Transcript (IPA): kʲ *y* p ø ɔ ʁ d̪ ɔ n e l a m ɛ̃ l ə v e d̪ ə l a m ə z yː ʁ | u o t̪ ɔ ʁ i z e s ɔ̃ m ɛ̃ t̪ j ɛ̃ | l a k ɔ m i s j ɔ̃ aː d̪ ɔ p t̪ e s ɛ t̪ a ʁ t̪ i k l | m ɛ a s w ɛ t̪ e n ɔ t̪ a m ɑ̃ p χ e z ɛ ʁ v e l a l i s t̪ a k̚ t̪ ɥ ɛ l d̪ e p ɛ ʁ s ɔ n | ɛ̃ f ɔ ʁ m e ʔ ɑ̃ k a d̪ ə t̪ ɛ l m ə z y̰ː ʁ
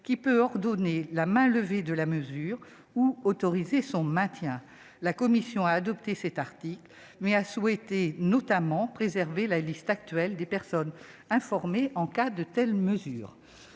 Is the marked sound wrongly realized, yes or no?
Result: yes